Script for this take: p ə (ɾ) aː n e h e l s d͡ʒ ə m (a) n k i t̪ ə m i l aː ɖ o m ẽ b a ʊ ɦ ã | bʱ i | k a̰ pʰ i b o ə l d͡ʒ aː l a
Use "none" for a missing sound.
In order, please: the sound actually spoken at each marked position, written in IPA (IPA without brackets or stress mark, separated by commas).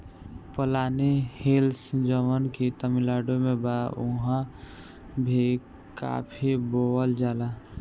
l, ə